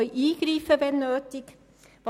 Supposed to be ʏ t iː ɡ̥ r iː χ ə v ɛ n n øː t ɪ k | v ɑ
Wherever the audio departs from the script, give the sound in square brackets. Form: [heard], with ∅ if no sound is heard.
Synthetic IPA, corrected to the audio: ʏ [ʔ] iː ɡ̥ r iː [f] ə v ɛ n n øː t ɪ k | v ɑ